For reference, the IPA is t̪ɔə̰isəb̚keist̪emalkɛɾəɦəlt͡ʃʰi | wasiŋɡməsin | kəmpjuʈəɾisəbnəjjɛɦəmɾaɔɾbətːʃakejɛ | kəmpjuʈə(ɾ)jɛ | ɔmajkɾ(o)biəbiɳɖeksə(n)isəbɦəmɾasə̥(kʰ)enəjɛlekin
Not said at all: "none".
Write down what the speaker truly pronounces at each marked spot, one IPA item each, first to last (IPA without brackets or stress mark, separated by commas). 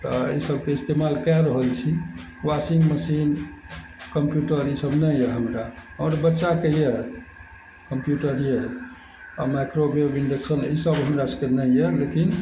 ɾ, o, n, k